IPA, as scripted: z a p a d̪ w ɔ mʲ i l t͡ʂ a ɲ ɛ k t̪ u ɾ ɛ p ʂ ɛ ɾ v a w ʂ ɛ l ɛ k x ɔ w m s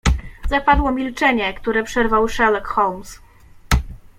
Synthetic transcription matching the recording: z a p a d̪ w ɔ mʲ i l t͡ʂ ɛ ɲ ɛ k t̪ u ɾ ɛ p ʂ ɛ ɾ v a w ʂ ɛ l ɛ k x ɔ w m s

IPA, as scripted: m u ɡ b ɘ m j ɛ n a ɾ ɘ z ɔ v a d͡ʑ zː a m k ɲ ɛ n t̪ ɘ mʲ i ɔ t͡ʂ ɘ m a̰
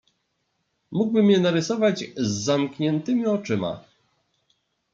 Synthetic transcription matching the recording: m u ɡ b ɘ m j ɛ n a ɾ ɘ s ɔ v a d͡ʑ zː a m k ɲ ɛ n t̪ ɘ mʲ i ɔ t͡ʂ ɘ m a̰

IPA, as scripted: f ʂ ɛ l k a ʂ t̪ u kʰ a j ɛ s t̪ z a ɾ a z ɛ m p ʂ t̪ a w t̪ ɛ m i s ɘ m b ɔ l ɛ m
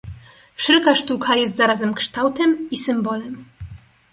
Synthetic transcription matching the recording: f ʂ ɛ l k a ʂ t̪ u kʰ a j ɛ s t̪ z a ɾ a z ɛ m k ʂ t̪ a w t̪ ɛ m i s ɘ m b ɔ l ɛ m

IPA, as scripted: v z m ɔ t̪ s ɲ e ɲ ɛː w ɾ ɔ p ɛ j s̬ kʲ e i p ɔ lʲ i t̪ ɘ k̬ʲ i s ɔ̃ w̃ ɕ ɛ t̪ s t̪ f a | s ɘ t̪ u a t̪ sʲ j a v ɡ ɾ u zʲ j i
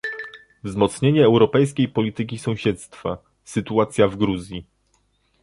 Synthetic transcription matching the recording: v z m ɔ t̪ s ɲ e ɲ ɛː w ɾ ɔ p ɛ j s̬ kʲ e j p ɔ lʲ i t̪ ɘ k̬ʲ i s ɔ̃ w̃ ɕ ɛ t̪ s t̪ f a | s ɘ t̪ u a t̪ sʲ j a v ɡ ɾ u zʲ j i

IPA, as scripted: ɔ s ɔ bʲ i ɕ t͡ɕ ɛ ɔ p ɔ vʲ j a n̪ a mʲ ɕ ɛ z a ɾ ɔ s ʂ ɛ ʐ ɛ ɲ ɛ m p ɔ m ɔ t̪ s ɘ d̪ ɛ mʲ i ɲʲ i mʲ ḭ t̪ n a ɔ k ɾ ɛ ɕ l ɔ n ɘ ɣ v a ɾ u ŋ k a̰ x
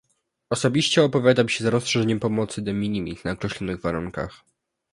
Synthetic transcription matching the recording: ɔ s ɔ bʲ i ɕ t͡ɕ ɛ ɔ p ɔ vʲ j a d̪ a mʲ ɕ ɛ z a ɾ ɔ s ʂ ɛ ʐ ɛ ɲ ɛ m p ɔ m ɔ t̪ s ɘ d̪ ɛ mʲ i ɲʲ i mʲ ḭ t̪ n a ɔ k ɾ ɛ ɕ l ɔ n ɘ ɣ v a ɾ u ŋ k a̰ x

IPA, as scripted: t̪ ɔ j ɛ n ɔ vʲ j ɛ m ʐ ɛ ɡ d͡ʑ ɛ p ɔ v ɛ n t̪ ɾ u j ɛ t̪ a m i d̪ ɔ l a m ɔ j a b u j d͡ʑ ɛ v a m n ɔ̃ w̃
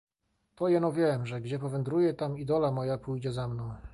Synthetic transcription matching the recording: t̪ ɔ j ɛ n ɔ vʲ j ɛ m ʐ ɛ ɡ d͡ʑ ɛ p ɔ v ɛ n d̪ ɾ u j ɛ t̪ a m i d̪ ɔ l a m ɔ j a p u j d͡ʑ ɛ z a m n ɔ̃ w̃

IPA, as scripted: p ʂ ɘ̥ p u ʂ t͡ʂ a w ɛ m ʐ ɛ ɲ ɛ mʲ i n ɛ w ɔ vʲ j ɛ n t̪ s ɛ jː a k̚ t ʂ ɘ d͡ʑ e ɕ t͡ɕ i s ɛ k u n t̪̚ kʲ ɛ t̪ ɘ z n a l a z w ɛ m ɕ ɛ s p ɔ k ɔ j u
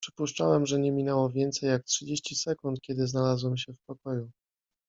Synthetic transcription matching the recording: p ʂ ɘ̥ p u ʂ t͡ʂ a w ɛ m ʐ ɛ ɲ ɛ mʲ i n ɛ w ɔ vʲ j ɛ n t̪ s ɛ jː a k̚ t ʂ ɘ d͡ʑ e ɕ t͡ɕ i s ɛ k u n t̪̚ kʲ ɛ d̪ ɘ z n a l a z w ɛ m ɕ ɛ f p ɔ k ɔ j u

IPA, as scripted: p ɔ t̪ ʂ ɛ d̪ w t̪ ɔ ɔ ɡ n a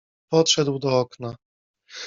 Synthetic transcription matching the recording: p ɔ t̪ ʂ ɛ d̪ w d̪ ɔ ɔ k n a

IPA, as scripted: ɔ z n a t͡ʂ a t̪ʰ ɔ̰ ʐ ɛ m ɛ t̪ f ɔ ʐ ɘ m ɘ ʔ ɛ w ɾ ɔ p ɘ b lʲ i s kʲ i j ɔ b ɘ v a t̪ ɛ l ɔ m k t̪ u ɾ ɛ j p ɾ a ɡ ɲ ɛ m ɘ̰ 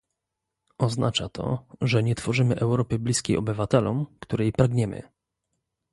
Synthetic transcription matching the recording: ɔ z n a t͡ʂ a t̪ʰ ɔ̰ ʐ ɛ ɲ ɛ t̪ f ɔ ʐ ɘ m ɘ ʔ ɛ w ɾ ɔ p ɘ b lʲ i s kʲ e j ɔ b ɘ v a t̪ ɛ l ɔ m k t̪ u ɾ ɛ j p ɾ a ɡ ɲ ɛ m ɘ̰

